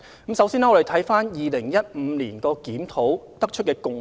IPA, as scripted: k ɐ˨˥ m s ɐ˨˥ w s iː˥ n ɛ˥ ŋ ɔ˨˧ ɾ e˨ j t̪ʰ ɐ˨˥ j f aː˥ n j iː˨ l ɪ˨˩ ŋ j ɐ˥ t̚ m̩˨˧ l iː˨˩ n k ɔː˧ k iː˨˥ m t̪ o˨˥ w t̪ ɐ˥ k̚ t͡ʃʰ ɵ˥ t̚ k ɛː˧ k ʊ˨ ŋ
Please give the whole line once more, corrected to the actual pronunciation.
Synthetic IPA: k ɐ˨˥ m s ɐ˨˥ w s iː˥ n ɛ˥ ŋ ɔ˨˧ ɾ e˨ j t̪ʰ ɐ˨˥ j f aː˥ n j iː˨ l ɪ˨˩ ŋ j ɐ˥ t̚ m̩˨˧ l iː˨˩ n k ɔː˧ k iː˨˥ m t̪ʰ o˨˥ w t̪ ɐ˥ k̚ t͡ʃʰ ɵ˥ t̚ k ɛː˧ k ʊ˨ ŋ